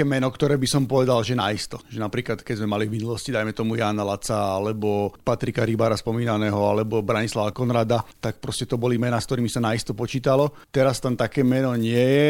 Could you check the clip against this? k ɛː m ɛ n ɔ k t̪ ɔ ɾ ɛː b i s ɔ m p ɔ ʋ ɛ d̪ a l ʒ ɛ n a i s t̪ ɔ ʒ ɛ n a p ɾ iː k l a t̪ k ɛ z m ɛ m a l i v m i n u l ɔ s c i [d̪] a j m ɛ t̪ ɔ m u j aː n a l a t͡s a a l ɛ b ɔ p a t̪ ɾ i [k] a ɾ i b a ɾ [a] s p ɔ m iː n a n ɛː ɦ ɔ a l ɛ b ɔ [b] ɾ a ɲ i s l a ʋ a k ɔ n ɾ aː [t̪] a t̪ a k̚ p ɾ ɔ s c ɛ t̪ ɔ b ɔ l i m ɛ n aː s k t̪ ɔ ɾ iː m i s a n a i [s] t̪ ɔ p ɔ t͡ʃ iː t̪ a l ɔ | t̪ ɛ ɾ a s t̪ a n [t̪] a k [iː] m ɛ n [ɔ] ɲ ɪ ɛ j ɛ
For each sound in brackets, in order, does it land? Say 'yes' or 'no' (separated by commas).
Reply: yes, yes, yes, yes, no, yes, yes, no, yes